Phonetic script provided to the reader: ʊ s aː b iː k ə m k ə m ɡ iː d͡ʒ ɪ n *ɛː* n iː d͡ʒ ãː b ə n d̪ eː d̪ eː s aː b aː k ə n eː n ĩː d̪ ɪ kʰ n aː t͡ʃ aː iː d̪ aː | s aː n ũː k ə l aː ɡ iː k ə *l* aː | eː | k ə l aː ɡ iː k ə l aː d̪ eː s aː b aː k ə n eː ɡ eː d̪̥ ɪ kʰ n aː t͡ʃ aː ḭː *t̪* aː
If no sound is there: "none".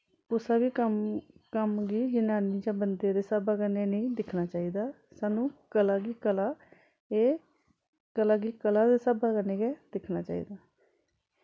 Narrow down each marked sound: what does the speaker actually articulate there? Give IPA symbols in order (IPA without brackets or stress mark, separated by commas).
aː, l, d̪